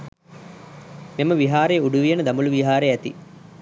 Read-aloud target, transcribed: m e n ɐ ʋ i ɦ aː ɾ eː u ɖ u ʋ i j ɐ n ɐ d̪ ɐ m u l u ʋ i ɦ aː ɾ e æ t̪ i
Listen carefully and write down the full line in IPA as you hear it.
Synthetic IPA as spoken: m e m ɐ ʋ i ɦ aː ɾ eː u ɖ u ʋ i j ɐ n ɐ d̪ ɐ m u l u ʋ i ɦ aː ɾ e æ t̪ i